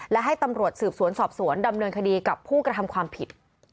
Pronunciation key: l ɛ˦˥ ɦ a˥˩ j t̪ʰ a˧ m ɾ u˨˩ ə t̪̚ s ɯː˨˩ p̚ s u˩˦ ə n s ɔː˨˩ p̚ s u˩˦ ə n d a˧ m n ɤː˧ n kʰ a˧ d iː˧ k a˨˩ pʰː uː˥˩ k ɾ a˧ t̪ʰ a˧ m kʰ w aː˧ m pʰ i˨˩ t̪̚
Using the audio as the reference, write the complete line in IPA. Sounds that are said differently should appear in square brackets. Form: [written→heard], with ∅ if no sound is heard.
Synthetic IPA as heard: l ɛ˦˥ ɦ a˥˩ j [t̪ʰ→t̪] a˧ m ɾ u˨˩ ə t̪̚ s ɯː˨˩ p̚ s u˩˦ ə n s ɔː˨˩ p̚ s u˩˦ ə n d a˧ m n ɤː˧ n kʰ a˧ d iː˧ k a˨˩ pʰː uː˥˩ k ɾ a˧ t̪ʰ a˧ m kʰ w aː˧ m pʰ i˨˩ t̪̚